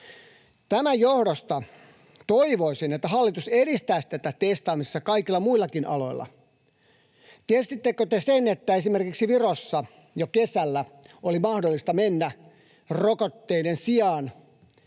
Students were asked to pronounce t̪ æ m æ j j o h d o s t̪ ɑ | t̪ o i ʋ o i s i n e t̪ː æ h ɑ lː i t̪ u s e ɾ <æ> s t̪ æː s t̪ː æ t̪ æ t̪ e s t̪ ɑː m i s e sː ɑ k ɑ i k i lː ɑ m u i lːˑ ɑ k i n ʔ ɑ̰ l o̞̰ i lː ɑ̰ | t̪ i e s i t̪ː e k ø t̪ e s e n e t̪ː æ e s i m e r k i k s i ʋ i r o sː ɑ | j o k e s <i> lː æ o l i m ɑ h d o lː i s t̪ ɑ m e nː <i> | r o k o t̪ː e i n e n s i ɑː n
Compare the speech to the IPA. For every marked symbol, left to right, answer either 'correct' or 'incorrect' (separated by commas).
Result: incorrect, incorrect, incorrect